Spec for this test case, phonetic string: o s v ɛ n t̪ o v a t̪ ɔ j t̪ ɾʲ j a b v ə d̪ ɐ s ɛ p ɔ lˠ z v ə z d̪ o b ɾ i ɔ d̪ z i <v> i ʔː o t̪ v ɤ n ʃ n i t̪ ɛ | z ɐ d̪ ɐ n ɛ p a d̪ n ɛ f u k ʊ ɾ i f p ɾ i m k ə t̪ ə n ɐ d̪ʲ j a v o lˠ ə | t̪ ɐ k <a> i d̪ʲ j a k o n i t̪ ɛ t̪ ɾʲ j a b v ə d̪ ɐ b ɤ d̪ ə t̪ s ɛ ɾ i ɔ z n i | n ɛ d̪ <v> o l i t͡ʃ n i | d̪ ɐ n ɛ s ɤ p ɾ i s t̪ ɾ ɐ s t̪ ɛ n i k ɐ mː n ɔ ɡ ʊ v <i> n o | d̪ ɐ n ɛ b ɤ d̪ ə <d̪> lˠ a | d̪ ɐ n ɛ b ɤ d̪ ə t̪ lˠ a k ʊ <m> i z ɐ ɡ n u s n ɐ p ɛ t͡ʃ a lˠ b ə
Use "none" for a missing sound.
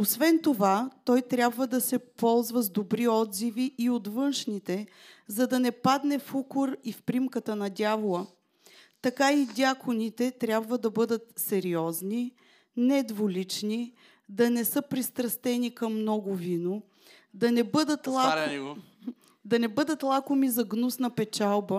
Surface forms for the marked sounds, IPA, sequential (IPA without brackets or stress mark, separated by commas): v, a, v, i, t̪, m